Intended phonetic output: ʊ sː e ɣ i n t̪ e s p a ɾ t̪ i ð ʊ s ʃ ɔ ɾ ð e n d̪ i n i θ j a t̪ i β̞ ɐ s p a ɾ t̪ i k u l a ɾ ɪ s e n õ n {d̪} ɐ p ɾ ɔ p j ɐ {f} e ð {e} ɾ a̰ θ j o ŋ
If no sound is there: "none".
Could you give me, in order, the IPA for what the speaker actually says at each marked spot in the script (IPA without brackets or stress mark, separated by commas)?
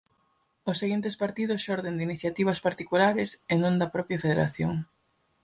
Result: d̪, f, e